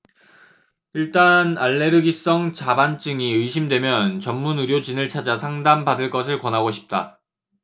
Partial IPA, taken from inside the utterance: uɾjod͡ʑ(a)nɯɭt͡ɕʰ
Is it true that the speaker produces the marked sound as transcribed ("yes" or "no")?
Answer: no